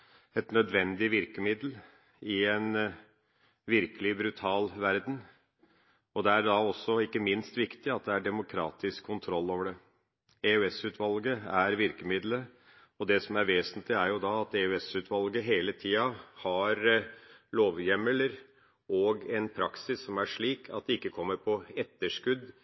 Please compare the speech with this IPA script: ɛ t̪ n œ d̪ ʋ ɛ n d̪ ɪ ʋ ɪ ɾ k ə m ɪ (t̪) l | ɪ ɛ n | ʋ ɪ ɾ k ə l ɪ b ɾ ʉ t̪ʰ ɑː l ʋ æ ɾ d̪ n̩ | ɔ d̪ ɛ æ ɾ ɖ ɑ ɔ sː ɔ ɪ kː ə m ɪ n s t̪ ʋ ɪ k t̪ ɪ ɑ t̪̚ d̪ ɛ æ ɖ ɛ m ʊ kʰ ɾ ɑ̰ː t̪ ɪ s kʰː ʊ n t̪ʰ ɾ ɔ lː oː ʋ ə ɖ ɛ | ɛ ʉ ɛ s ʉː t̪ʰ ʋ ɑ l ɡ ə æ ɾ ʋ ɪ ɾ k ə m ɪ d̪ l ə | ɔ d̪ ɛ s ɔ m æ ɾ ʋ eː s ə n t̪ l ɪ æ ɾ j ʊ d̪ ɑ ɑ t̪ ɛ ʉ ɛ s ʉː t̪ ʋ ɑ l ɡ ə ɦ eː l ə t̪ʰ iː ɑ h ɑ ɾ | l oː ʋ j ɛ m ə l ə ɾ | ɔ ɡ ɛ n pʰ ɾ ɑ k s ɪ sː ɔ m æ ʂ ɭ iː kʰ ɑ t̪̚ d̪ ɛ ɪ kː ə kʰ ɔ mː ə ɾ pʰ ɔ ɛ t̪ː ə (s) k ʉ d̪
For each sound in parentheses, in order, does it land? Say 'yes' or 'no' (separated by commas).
no, no